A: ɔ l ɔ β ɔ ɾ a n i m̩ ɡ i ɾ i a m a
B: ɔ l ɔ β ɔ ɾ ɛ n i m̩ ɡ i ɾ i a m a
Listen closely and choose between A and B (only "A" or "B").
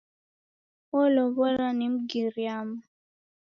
A